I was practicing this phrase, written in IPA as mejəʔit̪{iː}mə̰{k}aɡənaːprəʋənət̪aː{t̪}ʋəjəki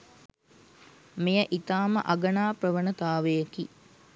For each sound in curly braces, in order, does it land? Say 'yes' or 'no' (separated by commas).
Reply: no, no, no